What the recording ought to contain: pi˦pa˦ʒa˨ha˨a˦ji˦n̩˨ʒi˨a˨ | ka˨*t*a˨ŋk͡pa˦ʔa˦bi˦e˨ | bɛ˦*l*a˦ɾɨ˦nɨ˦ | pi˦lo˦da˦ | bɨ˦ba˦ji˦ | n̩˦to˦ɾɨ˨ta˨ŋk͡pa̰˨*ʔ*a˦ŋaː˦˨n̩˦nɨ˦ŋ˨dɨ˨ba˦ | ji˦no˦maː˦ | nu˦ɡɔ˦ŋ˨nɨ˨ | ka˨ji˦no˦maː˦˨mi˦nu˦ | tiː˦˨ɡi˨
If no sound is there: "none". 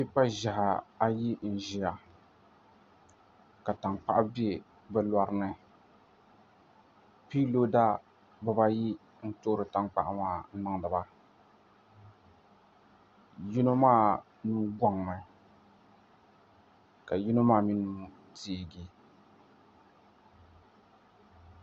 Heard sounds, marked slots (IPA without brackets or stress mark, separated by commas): t, l, ʔ